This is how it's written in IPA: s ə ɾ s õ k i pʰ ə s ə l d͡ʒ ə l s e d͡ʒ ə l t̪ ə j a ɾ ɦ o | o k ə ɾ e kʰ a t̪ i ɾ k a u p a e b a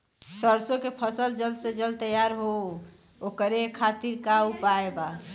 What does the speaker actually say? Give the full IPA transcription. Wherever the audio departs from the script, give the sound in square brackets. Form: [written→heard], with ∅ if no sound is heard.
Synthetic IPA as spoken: s ə ɾ s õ k [i→e] pʰ ə s ə l d͡ʒ ə l s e d͡ʒ ə l t̪ ə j a ɾ ɦ o | o k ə ɾ e kʰ a t̪ i ɾ k a u p a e b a